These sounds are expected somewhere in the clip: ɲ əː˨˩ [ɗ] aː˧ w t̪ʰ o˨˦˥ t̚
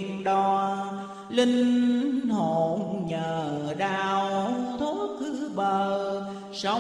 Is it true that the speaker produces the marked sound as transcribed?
yes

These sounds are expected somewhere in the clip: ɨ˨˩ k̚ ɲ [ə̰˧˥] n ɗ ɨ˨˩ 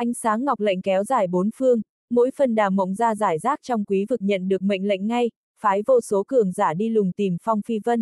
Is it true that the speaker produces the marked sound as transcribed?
no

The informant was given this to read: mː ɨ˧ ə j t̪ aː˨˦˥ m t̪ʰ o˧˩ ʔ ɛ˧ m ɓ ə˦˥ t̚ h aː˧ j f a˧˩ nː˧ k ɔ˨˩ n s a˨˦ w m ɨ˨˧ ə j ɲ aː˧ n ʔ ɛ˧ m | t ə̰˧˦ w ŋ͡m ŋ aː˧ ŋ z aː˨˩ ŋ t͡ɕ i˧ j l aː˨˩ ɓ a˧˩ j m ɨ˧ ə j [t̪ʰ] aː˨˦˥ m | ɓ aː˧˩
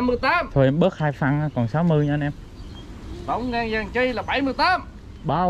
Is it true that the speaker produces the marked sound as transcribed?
no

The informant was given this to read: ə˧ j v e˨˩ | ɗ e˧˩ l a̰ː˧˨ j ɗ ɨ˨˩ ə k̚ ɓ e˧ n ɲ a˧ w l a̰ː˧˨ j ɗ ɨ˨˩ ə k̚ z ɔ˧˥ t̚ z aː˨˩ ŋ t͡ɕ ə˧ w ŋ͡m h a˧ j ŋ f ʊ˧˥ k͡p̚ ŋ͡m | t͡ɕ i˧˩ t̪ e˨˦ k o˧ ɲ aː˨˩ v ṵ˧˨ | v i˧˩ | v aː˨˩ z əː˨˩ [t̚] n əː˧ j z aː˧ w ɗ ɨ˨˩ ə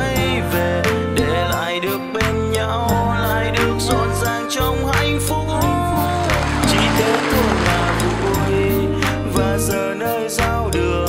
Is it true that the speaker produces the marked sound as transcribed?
no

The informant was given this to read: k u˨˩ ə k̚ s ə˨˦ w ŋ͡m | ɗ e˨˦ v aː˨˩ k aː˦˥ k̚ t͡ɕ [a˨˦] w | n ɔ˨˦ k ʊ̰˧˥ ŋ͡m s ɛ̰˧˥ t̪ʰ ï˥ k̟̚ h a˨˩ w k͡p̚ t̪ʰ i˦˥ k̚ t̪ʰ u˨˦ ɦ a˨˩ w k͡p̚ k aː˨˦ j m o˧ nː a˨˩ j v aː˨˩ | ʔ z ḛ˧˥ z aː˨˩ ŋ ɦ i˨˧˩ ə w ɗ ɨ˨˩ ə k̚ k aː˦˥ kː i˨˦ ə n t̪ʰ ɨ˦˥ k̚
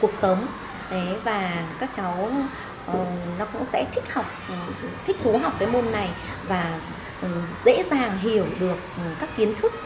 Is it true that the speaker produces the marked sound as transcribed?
yes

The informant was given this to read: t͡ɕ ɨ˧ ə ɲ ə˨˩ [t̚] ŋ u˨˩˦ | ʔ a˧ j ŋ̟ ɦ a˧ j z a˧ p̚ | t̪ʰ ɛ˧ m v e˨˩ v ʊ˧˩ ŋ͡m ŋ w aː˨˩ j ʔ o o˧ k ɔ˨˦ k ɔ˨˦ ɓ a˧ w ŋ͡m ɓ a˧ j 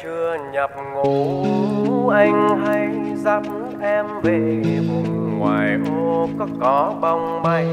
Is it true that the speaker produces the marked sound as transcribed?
no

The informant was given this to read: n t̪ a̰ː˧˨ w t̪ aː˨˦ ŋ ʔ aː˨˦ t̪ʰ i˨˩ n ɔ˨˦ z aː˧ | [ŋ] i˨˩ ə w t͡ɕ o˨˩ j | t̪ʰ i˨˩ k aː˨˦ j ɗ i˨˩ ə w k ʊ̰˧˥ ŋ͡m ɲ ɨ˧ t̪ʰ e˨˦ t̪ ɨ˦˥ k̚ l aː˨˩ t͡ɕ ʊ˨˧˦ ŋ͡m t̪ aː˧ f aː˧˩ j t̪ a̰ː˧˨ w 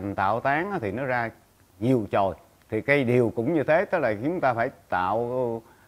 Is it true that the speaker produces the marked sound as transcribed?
no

